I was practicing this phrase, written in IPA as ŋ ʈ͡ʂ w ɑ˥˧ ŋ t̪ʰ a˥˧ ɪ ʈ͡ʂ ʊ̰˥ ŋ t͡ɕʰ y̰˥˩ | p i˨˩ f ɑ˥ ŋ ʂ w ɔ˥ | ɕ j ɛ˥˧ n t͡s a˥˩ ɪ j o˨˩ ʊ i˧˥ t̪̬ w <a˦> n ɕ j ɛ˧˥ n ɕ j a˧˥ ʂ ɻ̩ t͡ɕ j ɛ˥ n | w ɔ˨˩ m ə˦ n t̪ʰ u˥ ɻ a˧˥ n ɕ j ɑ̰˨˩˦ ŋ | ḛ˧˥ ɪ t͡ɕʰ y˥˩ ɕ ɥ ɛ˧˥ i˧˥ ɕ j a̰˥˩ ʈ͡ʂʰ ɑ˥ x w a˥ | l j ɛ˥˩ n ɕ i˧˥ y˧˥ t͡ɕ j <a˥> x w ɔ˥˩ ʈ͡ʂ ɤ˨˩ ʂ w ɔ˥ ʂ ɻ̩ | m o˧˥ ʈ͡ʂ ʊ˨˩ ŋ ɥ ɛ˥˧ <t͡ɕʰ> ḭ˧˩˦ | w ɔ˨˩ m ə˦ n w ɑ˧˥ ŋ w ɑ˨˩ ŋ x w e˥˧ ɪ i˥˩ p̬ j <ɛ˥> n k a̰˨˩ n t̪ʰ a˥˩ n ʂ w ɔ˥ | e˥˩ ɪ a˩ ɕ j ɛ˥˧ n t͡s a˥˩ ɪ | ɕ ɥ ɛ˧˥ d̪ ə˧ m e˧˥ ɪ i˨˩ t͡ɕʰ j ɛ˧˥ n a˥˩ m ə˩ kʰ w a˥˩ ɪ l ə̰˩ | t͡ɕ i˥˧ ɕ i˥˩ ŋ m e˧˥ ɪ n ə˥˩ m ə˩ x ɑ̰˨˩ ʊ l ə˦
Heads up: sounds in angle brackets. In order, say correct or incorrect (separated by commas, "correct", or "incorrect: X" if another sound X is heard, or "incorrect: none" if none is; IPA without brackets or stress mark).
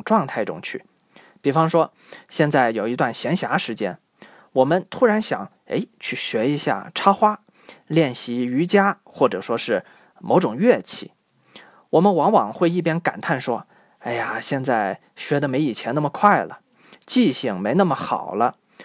incorrect: a˥˩, correct, correct, correct